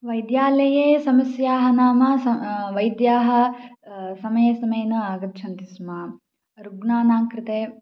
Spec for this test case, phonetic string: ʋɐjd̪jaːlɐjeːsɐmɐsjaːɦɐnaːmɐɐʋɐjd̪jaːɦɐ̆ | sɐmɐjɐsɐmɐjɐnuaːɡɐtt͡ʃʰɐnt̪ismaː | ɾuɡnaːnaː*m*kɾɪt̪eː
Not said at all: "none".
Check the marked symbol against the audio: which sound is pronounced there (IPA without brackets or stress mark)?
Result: ŋ